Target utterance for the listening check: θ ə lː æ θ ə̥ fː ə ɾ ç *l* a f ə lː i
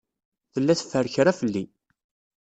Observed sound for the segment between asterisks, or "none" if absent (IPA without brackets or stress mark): ɾ